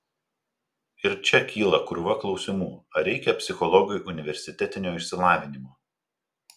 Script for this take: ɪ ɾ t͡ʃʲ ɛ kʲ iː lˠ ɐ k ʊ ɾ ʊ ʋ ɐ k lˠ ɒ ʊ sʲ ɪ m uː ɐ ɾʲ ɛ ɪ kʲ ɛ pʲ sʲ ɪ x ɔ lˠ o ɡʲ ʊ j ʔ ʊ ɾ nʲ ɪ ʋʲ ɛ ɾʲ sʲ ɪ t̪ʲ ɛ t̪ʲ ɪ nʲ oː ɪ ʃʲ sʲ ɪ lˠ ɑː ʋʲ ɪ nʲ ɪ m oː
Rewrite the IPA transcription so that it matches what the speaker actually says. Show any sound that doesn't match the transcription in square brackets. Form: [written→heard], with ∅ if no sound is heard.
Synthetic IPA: ɪ ɾ t͡ʃʲ ɛ kʲ iː lˠ ɐ k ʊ ɾ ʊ ʋ ɐ k lˠ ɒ ʊ sʲ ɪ m uː ɐ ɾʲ ɛ ɪ kʲ ɛ pʲ sʲ ɪ x ɔ lˠ [o→ɔ] ɡʲ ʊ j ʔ ʊ [ɾ→∅] nʲ ɪ ʋʲ ɛ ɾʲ sʲ ɪ t̪ʲ ɛ t̪ʲ ɪ nʲ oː ɪ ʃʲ sʲ ɪ lˠ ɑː ʋʲ ɪ nʲ ɪ m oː